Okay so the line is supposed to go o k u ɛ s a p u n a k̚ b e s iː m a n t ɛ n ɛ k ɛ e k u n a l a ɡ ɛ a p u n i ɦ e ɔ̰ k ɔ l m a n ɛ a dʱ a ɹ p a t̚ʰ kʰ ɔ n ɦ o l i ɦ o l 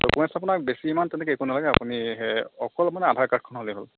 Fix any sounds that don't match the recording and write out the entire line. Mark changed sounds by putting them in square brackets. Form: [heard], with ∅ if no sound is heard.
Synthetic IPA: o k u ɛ s a p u n a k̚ b e s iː m a n t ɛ n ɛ k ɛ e k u n a l a ɡ ɛ a p u n i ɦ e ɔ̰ k ɔ l m a n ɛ a dʱ a ɹ [k] a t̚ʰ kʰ ɔ n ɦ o l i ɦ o l